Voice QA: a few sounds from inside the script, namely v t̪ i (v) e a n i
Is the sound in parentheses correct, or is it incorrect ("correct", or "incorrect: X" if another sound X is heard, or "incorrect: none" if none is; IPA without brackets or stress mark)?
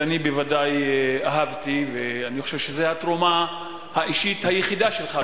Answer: correct